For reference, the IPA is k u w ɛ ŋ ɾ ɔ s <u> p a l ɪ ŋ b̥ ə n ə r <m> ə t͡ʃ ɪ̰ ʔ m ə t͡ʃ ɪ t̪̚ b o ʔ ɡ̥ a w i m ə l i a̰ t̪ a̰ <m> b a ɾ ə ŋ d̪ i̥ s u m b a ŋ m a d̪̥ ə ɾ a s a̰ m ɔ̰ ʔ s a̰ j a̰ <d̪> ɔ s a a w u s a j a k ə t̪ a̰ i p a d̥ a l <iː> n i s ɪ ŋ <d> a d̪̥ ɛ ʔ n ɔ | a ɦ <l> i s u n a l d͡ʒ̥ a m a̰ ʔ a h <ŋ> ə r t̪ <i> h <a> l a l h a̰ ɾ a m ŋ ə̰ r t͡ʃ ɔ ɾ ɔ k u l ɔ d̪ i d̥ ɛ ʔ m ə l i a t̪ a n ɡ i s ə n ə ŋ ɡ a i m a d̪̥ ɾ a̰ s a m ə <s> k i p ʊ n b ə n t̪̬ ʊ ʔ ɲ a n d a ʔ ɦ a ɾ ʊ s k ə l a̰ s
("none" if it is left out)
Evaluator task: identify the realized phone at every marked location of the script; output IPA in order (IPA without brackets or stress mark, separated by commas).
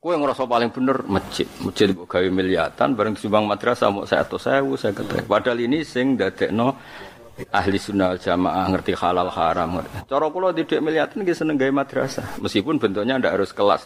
ɔ, m, n, t̪, i, d, l, ŋ, i, a, s